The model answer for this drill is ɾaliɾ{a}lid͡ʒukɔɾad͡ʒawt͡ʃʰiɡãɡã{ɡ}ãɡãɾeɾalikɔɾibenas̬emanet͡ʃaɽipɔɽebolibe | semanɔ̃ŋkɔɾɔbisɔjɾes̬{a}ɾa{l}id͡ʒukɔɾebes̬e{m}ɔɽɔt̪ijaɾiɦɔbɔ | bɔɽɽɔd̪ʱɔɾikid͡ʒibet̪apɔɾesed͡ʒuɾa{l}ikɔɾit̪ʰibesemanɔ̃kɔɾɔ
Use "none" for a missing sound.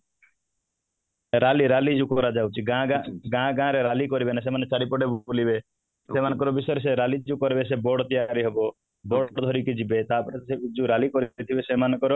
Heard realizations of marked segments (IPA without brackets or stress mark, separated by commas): a, ɡ, e, l, b, l